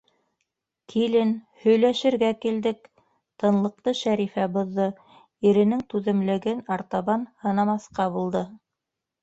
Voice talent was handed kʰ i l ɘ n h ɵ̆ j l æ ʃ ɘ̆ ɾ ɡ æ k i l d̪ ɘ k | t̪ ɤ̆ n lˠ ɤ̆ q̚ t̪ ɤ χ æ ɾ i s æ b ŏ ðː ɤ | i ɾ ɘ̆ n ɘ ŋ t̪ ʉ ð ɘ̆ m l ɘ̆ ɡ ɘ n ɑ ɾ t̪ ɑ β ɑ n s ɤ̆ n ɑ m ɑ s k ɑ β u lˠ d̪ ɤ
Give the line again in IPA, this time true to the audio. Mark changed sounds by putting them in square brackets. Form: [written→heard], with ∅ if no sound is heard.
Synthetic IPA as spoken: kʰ i l ɘ n h ɵ̆ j l æ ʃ ɘ̆ ɾ ɡ æ k i l d̪ ɘ k | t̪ ɤ̆ n lˠ ɤ̆ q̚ t̪ ɤ [χ→ʃ] æ ɾ i [s→f] æ b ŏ ðː ɤ | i ɾ ɘ̆ n ɘ ŋ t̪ ʉ ð ɘ̆ m l ɘ̆ ɡ ɘ n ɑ ɾ t̪ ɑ β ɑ n [s→h] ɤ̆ n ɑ m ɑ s [k→q] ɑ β u lˠ d̪ ɤ